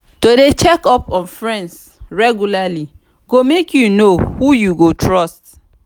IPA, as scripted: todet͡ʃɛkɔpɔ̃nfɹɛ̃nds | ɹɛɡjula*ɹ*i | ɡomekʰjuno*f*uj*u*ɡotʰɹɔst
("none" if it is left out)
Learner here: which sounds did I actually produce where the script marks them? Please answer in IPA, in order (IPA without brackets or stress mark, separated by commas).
l, h, u